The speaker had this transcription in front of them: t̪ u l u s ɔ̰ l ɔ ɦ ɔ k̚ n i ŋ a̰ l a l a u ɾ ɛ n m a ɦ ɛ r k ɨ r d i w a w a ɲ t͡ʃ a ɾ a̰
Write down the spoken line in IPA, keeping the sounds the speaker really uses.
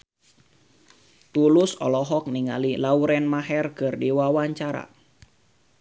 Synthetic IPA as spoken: t̪ u l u s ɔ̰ l ɔ ɦ ɔ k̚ n i ŋ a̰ l i l a u ɾ ɛ n m a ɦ ɛ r k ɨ r d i w a w a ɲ t͡ʃ a ɾ a̰